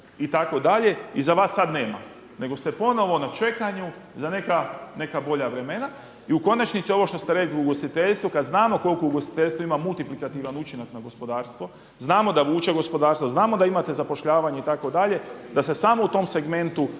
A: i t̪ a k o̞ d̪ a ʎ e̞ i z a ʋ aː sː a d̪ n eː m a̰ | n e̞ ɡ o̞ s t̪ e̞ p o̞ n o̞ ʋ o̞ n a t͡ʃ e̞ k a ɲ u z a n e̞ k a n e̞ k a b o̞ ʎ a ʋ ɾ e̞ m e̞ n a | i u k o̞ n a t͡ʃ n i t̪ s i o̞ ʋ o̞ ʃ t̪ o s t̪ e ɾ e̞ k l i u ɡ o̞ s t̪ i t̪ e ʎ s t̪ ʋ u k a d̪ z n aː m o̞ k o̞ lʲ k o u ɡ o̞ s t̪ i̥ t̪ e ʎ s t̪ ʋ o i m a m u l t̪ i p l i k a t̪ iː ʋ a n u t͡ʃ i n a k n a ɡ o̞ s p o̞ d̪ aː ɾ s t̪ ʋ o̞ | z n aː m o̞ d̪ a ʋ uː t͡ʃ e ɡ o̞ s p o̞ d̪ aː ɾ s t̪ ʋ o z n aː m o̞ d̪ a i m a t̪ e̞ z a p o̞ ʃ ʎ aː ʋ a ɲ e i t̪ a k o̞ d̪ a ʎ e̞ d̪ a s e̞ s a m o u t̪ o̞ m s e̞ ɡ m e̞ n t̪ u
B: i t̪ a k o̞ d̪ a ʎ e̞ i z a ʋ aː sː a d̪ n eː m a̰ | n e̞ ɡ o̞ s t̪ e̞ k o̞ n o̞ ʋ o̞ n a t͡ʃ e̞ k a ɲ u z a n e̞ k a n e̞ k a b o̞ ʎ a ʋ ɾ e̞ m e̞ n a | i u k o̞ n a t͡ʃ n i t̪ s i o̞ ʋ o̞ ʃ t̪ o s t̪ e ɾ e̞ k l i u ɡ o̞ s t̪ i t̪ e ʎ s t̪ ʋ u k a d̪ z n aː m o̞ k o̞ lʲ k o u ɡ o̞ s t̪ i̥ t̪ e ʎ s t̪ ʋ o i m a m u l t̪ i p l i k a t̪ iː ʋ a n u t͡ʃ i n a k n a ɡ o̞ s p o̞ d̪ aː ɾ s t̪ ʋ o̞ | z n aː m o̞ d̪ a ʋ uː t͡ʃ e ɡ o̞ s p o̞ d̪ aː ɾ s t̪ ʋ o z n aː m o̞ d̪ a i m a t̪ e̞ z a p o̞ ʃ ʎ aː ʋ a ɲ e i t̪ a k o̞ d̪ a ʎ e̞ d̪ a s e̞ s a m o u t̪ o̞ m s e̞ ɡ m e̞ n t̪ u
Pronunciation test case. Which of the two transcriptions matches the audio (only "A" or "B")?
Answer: A